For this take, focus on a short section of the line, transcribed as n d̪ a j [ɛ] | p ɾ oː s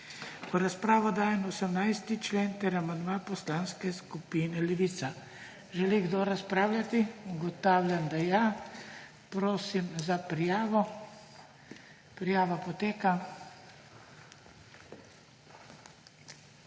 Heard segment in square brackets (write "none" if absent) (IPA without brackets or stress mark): a